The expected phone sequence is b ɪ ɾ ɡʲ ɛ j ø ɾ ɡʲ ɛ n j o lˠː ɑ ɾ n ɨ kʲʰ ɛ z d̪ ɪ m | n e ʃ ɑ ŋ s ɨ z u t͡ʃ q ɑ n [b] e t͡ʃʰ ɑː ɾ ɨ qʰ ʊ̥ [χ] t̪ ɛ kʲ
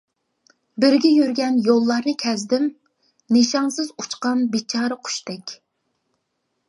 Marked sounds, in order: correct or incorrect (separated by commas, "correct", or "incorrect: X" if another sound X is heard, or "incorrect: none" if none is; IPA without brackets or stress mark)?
correct, incorrect: ʃ